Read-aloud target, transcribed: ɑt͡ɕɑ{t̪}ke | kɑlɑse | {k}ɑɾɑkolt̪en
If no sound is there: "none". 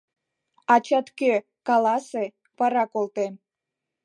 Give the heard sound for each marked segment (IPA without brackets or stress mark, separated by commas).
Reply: t̪, p